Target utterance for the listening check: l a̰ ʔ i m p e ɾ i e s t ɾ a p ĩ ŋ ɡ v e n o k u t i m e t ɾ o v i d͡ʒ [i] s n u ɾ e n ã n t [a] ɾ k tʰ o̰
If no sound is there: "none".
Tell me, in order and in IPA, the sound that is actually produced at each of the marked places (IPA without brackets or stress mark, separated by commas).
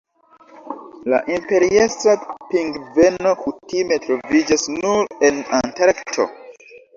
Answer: a, a